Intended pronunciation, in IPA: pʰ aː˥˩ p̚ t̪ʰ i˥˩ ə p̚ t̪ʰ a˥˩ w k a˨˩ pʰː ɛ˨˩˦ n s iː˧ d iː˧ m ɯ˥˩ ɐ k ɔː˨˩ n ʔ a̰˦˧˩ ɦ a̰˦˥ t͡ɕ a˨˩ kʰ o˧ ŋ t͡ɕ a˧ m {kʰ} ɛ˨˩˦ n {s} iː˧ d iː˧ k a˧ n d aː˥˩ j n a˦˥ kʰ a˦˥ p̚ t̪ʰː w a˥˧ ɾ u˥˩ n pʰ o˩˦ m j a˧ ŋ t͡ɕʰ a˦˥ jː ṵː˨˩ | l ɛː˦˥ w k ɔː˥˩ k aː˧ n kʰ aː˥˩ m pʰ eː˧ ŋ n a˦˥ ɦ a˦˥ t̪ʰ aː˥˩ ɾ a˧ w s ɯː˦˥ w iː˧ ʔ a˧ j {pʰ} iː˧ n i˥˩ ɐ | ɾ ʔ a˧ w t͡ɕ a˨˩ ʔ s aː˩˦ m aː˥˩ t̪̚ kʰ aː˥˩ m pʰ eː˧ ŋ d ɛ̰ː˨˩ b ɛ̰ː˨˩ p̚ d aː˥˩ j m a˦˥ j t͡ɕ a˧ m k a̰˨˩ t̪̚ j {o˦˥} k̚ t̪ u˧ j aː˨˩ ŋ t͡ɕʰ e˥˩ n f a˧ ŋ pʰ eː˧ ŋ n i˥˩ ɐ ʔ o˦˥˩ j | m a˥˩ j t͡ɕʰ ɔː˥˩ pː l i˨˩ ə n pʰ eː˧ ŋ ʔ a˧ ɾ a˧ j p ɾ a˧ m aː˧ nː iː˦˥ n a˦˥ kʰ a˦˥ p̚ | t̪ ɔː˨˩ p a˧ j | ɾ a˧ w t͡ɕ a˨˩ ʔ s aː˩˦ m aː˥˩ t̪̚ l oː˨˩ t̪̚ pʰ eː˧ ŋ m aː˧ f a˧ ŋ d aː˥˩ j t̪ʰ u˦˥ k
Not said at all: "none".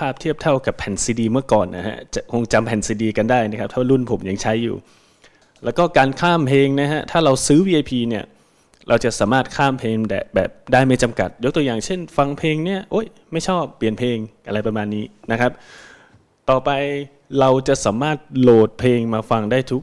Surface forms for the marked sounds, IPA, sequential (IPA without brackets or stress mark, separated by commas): pʰ, s, pʰ, o˦˥